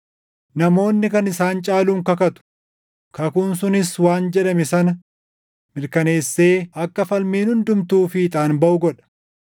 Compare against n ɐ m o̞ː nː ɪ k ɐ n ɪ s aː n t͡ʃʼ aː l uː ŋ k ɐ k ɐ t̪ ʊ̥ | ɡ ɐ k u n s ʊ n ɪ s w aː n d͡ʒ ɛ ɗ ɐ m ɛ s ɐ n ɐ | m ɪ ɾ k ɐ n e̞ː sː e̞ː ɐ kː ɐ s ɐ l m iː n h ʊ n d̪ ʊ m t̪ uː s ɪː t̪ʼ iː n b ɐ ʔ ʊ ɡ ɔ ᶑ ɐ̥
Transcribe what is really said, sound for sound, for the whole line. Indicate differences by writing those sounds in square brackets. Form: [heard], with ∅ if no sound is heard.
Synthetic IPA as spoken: n ɐ m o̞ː nː ɪ k ɐ n ɪ s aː n t͡ʃʼ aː l uː ŋ k ɐ k ɐ t̪ ʊ̥ | [k] ɐ k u n s ʊ n ɪ s w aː n d͡ʒ ɛ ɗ ɐ m ɛ s ɐ n ɐ | m ɪ ɾ k ɐ n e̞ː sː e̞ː ɐ kː ɐ [f] ɐ l m iː n h ʊ n d̪ ʊ m t̪ uː [f] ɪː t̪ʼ [aː] n b ɐ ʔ ʊ ɡ ɔ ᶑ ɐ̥